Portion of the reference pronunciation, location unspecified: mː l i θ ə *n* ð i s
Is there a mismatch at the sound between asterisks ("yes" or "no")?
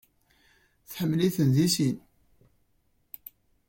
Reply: no